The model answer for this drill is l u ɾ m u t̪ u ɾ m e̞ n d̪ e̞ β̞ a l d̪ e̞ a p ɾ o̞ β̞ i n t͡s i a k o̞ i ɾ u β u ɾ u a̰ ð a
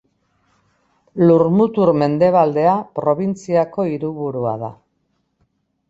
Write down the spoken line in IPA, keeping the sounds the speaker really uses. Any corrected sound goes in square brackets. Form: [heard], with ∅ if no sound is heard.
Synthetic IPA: l u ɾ m u t̪ u ɾ m e̞ n d̪ e̞ β̞ a l d̪ e̞ a p ɾ o̞ β̞ i n t͡s i a k o̞ i ɾ u β u ɾ u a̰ ð a